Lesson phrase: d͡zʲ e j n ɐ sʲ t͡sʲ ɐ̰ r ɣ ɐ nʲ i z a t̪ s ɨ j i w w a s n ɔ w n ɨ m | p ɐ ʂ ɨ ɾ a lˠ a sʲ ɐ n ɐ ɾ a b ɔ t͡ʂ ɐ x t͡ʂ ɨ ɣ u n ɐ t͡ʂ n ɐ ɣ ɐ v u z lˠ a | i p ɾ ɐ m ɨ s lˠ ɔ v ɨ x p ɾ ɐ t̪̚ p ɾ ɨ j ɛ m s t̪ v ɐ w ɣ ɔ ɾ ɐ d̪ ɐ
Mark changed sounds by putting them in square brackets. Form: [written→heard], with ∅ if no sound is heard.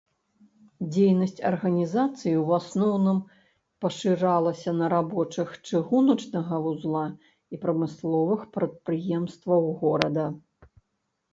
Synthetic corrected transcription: d͡zʲ e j n ɐ sʲ t͡sʲ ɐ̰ r ɣ ɐ nʲ i z a t̪ s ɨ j i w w a s n ɔ w n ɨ m | p ɐ ʂ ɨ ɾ a lˠ [a→ɐ] sʲ ɐ n ɐ ɾ a b ɔ t͡ʂ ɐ x t͡ʂ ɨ ɣ u n ɐ t͡ʂ n ɐ ɣ ɐ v u z lˠ a | i p ɾ ɐ m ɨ s lˠ ɔ v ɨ x p ɾ ɐ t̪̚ p ɾ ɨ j ɛ m s t̪ v ɐ w ɣ ɔ ɾ ɐ d̪ ɐ